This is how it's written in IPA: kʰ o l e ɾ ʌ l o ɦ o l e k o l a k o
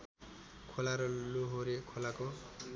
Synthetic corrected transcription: kʰ o l a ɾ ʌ l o ɦ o ɾ e kʰ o l a k o